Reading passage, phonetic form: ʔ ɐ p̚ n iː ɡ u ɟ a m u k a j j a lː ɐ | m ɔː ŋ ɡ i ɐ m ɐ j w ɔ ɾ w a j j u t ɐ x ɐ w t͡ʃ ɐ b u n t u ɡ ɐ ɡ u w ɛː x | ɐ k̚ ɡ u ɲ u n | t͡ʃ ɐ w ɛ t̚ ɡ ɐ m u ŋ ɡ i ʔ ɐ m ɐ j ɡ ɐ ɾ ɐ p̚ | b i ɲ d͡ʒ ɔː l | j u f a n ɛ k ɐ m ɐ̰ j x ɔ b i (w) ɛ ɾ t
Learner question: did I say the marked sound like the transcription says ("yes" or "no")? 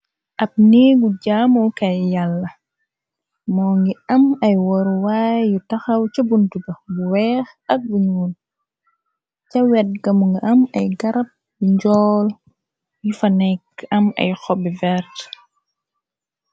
no